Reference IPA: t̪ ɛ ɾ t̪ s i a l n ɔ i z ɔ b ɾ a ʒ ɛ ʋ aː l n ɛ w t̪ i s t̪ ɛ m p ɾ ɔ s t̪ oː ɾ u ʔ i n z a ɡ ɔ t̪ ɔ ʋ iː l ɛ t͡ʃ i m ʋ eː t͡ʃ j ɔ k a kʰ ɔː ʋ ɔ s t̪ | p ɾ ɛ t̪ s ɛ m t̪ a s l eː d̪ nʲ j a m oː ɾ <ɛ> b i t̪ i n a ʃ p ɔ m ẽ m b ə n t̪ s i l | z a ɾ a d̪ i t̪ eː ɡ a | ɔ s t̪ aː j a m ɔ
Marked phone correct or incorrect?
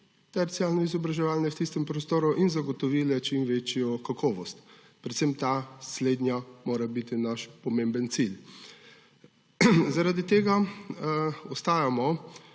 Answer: incorrect: a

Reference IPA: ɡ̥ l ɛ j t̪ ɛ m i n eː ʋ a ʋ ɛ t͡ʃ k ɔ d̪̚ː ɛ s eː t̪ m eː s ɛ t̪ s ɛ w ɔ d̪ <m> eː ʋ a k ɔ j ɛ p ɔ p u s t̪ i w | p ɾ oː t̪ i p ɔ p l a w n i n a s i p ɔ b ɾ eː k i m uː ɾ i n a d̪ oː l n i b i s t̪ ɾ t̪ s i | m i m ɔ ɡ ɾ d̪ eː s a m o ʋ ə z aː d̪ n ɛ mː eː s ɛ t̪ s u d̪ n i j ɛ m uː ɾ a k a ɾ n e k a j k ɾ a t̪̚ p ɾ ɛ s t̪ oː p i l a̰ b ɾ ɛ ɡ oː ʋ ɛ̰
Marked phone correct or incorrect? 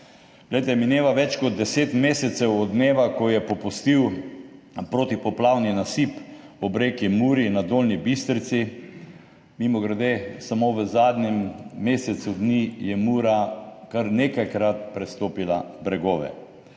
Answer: incorrect: n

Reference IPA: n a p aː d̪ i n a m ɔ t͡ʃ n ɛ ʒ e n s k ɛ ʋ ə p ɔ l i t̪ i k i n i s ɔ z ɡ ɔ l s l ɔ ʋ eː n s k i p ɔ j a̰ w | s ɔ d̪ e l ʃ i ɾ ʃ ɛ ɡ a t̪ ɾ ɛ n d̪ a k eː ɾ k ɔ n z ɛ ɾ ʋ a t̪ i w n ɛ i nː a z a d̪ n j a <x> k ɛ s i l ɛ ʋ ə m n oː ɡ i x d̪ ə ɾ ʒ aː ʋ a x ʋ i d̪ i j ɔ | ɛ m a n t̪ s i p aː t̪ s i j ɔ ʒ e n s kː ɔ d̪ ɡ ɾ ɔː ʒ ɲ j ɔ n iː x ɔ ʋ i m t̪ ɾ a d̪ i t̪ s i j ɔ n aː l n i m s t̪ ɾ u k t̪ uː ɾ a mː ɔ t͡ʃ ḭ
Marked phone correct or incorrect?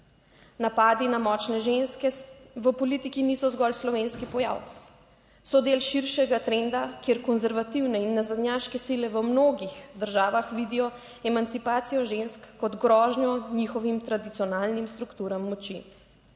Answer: incorrect: ʃ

